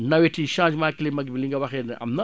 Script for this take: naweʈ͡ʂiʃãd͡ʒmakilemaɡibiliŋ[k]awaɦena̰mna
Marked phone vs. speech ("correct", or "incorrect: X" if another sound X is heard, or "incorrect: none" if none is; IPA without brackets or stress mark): incorrect: ɡ